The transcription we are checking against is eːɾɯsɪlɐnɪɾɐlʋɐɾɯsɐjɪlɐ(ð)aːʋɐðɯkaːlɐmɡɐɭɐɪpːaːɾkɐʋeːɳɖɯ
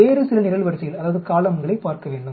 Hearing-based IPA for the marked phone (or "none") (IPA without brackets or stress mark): ð